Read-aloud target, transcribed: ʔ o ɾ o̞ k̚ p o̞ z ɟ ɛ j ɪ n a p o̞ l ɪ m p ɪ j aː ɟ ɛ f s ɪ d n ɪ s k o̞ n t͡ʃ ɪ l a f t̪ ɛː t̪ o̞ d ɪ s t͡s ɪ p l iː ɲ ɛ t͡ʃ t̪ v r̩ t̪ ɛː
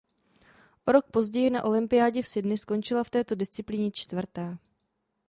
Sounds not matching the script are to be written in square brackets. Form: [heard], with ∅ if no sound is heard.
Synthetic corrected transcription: ʔ o ɾ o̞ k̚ p o̞ z ɟ ɛ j ɪ n a [ʔ] o̞ l ɪ m p ɪ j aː ɟ ɛ f s ɪ d n ɪ s k o̞ n t͡ʃ ɪ l a f t̪ ɛː t̪ o̞ d ɪ s t͡s ɪ p l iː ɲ ɛ t͡ʃ t̪ v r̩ t̪ ɛː